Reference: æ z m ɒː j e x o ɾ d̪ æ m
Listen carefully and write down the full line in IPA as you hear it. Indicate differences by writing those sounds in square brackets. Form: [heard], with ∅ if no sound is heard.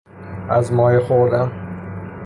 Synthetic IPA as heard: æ z m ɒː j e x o ɾ d̪ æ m